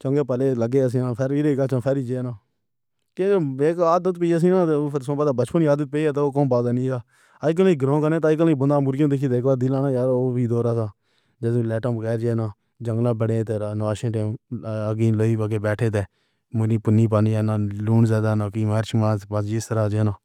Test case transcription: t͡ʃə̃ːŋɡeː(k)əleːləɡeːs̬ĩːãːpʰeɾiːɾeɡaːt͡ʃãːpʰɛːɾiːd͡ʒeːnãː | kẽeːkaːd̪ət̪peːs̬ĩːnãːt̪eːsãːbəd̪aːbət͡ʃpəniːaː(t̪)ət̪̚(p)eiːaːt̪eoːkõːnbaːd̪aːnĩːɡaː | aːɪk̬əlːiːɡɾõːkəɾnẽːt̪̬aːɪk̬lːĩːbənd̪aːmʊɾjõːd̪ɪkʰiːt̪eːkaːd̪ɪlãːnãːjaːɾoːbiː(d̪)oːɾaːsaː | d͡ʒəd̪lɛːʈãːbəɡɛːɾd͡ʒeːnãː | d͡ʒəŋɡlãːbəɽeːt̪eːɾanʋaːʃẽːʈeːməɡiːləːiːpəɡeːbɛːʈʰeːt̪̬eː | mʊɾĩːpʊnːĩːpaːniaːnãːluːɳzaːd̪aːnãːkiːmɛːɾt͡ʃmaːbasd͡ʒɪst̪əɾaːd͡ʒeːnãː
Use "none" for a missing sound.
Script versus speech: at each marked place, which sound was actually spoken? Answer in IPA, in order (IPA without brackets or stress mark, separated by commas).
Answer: p, d̪, p, d̪